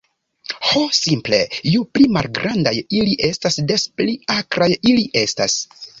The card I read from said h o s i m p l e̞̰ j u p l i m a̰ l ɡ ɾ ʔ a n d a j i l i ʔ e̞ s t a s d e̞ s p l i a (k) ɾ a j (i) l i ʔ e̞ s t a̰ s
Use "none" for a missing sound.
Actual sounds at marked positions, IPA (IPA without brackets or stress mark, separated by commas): k, i